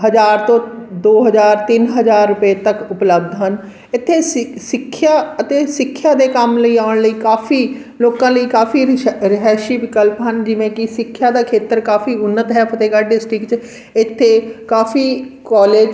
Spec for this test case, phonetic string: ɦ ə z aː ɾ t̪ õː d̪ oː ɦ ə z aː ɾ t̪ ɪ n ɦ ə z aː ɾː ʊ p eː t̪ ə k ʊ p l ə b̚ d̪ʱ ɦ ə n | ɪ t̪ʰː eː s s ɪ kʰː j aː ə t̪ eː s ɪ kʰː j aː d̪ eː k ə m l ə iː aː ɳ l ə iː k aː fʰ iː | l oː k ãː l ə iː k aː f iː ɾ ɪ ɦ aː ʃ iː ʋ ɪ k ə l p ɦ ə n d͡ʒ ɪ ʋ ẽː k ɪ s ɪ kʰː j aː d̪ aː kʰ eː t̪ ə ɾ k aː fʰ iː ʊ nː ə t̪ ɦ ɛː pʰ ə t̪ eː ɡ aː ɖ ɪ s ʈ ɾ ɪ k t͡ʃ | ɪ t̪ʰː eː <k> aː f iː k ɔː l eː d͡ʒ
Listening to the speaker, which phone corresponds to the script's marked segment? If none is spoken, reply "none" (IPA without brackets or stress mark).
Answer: k